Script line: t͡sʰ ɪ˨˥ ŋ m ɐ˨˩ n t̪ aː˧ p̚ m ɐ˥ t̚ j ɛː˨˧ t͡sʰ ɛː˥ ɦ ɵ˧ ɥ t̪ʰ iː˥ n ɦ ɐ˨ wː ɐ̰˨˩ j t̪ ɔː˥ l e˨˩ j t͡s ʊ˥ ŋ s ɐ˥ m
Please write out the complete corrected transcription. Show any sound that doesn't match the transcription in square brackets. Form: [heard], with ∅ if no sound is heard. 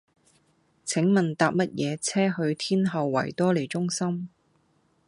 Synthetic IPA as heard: t͡sʰ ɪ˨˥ ŋ m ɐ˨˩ n t̪ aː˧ p̚ m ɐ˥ t̚ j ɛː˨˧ t͡sʰ ɛː˥ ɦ ɵ˧ ɥ t̪ʰ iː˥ n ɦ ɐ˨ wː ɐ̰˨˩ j t̪ ɔː˥ l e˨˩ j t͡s ʊ˥ ŋ s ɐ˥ m